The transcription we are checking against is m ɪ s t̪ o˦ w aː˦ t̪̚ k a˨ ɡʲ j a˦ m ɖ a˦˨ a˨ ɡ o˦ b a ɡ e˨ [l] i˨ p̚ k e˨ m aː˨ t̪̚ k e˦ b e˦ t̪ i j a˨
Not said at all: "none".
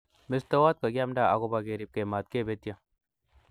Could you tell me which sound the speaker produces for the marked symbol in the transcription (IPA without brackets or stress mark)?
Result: ɾ